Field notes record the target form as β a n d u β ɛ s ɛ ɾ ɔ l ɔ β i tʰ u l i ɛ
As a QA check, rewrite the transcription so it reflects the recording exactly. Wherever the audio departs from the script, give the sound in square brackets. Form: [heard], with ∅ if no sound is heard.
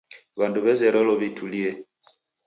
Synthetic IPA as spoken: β a n d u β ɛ [z] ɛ ɾ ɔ l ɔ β i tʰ u l i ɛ